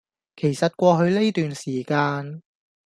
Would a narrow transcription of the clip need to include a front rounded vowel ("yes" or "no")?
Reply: yes